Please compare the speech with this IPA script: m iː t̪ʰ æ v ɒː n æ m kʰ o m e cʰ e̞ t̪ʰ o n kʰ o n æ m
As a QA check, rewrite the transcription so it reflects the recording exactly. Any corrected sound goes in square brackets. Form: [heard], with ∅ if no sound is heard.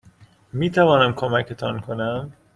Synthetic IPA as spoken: m iː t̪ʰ æ v ɒː n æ m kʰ o m [æ] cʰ e̞ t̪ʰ [ɒ] n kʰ o n æ m